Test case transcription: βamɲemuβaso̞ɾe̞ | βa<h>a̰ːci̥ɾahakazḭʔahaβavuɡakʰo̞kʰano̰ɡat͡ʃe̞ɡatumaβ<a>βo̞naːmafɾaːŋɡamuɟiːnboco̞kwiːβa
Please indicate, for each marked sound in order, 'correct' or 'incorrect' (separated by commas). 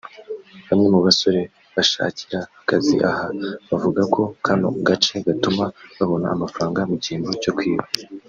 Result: incorrect, correct